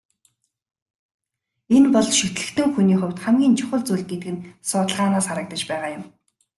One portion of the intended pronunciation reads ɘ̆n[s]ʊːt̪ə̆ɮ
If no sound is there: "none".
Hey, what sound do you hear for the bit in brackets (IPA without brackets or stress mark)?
s